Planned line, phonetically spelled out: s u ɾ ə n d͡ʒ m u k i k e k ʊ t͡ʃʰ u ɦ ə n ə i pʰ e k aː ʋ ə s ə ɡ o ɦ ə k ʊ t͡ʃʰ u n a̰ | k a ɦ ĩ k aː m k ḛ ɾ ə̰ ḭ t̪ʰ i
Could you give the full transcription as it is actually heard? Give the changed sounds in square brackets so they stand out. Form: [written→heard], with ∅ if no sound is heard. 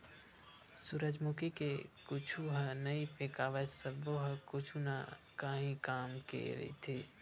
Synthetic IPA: s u ɾ ə [n→∅] d͡ʒ m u k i k e k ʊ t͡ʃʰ u ɦ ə n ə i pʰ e k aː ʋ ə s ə [ɡ→b] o ɦ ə k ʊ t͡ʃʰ u n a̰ | k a ɦ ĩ k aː m k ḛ ɾ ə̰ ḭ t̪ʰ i